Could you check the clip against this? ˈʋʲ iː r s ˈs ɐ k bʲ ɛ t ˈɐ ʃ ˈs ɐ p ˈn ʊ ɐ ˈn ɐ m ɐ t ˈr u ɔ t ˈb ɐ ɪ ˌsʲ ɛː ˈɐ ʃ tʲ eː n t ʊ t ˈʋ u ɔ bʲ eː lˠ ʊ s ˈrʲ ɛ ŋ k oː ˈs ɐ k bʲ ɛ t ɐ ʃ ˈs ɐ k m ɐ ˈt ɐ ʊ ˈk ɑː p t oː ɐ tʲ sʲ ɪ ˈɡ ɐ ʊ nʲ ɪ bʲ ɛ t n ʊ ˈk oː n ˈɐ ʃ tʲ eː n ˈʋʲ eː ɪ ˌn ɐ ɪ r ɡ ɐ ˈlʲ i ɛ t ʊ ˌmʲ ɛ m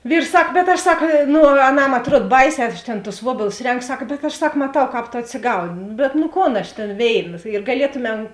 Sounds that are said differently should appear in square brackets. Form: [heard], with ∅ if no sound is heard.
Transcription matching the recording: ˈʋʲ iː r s ˈs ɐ k bʲ ɛ t ˈɐ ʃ ˈs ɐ [k] ˈn ʊ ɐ ˈn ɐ m ɐ t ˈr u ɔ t ˈb ɐ ɪ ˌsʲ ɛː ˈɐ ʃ tʲ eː n t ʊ [s] ˈʋ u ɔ bʲ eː lˠ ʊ s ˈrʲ ɛ ŋ k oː ˈs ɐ k bʲ ɛ t ɐ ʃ ˈs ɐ k m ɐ ˈt ɐ ʊ ˈk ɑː p t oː ɐ tʲ sʲ ɪ ˈɡ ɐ ʊ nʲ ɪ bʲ ɛ t n ʊ ˈk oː n ˈɐ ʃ tʲ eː n ˈʋʲ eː ɪ ˌn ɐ ɪ r ɡ ɐ ˈlʲ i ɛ t ʊ ˌmʲ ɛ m

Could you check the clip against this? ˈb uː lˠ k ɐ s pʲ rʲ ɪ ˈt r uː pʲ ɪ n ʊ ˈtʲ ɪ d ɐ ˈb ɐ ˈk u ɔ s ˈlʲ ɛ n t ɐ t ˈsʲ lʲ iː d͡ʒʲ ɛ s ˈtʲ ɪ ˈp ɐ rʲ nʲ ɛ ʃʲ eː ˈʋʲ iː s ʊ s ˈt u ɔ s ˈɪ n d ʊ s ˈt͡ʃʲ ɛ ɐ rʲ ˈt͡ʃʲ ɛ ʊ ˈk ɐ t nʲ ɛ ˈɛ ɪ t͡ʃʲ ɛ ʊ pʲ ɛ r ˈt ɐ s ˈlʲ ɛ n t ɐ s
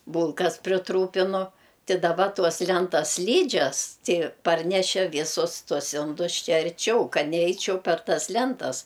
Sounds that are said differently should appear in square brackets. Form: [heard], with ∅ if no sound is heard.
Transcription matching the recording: ˈb uː lˠ k ɐ s pʲ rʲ ɪ ˈt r uː pʲ ɪ n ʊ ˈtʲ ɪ d ɐ ˈb ɐ [ˈt] u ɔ s ˈlʲ ɛ n t ɐ [s] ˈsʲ lʲ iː d͡ʒʲ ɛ s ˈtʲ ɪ ˈp ɐ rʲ nʲ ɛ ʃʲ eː ˈʋʲ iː s ʊ s ˈt u ɔ s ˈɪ n d ʊ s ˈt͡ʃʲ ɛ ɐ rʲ ˈt͡ʃʲ ɛ ʊ ˈk ɐ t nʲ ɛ ˈɛ ɪ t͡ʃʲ ɛ ʊ pʲ ɛ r ˈt ɐ s ˈlʲ ɛ n t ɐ s

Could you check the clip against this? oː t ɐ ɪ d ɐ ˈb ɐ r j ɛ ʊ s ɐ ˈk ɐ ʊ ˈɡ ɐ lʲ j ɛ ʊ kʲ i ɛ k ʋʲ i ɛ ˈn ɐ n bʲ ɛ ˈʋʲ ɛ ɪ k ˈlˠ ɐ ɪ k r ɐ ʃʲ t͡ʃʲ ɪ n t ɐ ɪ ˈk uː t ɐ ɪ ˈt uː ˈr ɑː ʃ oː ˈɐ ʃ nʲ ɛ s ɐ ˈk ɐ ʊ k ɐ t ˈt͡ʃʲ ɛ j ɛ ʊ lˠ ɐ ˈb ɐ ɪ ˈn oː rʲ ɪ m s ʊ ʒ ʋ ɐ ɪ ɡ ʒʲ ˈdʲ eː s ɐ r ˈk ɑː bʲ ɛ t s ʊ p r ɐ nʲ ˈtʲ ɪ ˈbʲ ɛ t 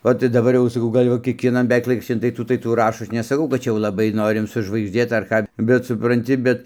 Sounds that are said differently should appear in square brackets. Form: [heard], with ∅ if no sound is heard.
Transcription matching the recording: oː t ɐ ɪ d ɐ ˈb ɐ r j ɛ ʊ s ɐ ˈk ɐ ʊ ˈɡ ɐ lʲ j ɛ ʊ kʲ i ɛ k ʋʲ i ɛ ˈn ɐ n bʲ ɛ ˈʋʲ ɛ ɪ k ˈlˠ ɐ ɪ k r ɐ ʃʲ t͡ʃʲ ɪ n t ɐ ɪ [ˈt] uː t ɐ ɪ ˈt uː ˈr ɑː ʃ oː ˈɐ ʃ nʲ ɛ s ɐ ˈk ɐ ʊ k ɐ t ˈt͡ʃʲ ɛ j ɛ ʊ lˠ ɐ ˈb ɐ ɪ ˈn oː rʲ ɪ m s ʊ ʒ ʋ ɐ ɪ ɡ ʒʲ ˈdʲ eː [t] ɐ r ˈk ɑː bʲ ɛ t s ʊ p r ɐ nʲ ˈtʲ ɪ ˈbʲ ɛ t

